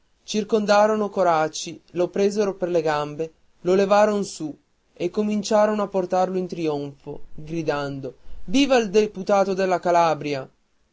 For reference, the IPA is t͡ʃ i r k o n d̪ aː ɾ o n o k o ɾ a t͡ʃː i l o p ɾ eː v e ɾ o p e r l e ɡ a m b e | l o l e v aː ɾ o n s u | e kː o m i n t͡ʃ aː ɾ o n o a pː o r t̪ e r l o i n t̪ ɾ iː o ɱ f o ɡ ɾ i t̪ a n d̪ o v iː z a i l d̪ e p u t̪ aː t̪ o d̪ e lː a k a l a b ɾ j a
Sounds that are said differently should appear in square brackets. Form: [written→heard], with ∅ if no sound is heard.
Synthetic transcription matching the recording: t͡ʃ i r k o n d̪ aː ɾ o n o k o ɾ a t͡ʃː i l o p ɾ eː [v→z] e ɾ o p e r l e ɡ a m b e | l o l e v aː ɾ o n s u | e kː o m i n t͡ʃ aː ɾ o n o a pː o r t̪ [e→a] r l o i n t̪ ɾ [iː→i] o ɱ f o ɡ ɾ i [t̪→d̪] a n d̪ o v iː [z→v] a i l d̪ e p u t̪ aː t̪ o d̪ e lː a k a l a b ɾ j a